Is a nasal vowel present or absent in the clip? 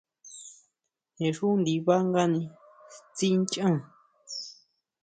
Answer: present